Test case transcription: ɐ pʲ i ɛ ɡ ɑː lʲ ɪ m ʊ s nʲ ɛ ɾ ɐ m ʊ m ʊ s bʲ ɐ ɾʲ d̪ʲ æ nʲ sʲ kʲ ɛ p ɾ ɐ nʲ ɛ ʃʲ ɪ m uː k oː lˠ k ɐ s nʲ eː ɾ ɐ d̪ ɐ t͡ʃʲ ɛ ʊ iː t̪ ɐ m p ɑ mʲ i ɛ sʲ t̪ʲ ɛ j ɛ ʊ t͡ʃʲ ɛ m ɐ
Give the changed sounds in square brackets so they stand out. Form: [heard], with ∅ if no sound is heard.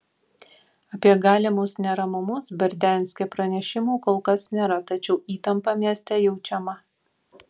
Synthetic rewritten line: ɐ pʲ i ɛ ɡ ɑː lʲ ɪ m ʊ s nʲ ɛ ɾ ɐ m ʊ m ʊ s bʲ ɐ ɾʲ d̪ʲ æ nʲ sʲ kʲ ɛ p ɾ ɐ nʲ ɛ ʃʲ ɪ m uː k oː lˠ k ɐ s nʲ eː ɾ ɐ [t̪] ɐ t͡ʃʲ ɛ ʊ iː t̪ ɐ m p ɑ mʲ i ɛ sʲ t̪ʲ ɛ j ɛ ʊ t͡ʃʲ ɛ m ɐ